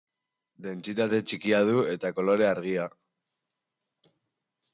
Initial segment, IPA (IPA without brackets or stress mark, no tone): d̪